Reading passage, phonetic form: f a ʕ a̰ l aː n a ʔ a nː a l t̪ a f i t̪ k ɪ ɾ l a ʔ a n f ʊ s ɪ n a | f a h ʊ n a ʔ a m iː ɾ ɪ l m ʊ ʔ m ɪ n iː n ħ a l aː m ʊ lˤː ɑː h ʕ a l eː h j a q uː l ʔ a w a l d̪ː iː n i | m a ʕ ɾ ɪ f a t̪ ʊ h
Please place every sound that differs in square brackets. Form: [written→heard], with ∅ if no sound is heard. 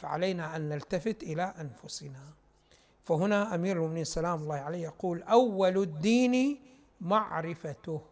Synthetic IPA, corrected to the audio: f a ʕ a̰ l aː n a ʔ a nː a l t̪ a f [i→ɪ] t̪ [k→ʔ] ɪ [ɾ→∅] l a ʔ a n f ʊ s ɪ n a | f a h ʊ n a ʔ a m iː ɾ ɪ l m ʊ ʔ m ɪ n iː n [ħ→s] a l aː m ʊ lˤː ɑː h ʕ a l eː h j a q uː l ʔ a [w→wː] a l d̪ː iː n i | m a ʕ ɾ ɪ f a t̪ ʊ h